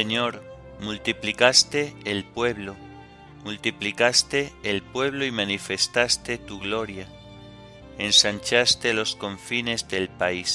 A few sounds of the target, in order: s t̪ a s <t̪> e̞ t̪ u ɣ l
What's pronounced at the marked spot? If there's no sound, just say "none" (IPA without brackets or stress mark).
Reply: t̪